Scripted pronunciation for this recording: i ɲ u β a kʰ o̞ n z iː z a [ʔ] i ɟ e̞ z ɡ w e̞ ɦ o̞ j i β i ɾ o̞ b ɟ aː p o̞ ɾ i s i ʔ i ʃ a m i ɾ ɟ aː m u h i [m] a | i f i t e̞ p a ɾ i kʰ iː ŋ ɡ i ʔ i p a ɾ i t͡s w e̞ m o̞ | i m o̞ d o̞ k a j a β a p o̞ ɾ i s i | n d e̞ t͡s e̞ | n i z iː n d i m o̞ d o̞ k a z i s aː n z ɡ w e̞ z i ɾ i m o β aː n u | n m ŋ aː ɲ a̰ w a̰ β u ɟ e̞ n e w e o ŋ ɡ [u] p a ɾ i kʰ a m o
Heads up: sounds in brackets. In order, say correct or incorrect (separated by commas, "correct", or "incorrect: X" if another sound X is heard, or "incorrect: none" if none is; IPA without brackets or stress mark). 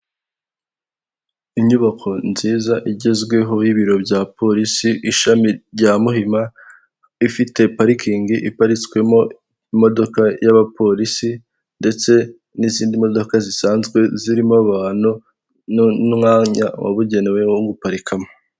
correct, correct, correct